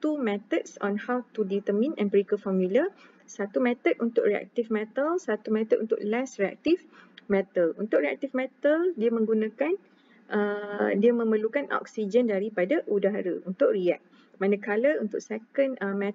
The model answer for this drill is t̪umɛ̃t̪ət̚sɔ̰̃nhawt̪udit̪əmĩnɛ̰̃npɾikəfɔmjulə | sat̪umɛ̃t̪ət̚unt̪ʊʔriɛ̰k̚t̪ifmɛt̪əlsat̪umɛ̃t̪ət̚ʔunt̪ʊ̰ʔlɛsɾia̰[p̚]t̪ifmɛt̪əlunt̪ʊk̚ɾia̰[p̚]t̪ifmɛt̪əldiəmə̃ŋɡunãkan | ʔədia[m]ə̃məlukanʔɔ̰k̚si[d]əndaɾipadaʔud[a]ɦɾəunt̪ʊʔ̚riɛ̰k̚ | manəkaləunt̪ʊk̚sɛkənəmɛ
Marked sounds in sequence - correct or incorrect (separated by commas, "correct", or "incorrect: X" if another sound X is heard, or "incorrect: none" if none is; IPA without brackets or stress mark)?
incorrect: k̚, incorrect: k̚, correct, incorrect: d͡ʒ, correct